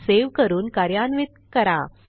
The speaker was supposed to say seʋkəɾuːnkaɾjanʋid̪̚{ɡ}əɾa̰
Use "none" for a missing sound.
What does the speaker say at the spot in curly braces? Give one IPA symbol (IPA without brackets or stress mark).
k